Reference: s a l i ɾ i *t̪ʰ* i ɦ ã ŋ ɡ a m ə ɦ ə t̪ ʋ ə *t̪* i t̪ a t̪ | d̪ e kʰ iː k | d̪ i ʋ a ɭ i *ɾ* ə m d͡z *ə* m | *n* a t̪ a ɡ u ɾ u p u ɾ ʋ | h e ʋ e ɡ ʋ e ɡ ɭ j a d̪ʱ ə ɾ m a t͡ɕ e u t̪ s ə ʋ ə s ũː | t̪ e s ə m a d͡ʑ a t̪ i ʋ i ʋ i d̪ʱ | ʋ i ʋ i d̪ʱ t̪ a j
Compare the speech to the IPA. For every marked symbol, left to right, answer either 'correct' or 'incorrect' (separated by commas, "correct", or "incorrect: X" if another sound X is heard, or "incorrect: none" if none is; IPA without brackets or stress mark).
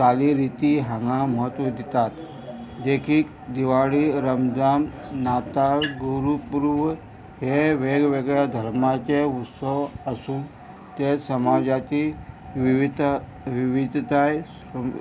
incorrect: t̪, incorrect: d̪, correct, incorrect: a, correct